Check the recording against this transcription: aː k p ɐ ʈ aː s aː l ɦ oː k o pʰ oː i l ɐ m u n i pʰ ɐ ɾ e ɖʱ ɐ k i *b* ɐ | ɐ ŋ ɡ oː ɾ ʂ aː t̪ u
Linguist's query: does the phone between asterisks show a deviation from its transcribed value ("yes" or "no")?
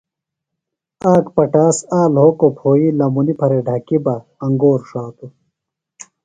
no